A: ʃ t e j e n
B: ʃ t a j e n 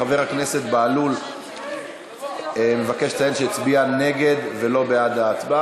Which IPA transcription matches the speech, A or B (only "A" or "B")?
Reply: B